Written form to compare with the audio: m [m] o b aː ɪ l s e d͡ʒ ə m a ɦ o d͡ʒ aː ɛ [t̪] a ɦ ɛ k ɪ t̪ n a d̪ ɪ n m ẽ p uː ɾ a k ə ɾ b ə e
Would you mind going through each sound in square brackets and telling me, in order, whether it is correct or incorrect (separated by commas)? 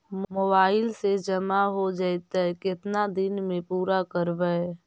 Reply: correct, correct